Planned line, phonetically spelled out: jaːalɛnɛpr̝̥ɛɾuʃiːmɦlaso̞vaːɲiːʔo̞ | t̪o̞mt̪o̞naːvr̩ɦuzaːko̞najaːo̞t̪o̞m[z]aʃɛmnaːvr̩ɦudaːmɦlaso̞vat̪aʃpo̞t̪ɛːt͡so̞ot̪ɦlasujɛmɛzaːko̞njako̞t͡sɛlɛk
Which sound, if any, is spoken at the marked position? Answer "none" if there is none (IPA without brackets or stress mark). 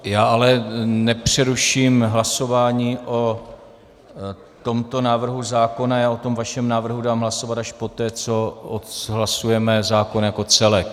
v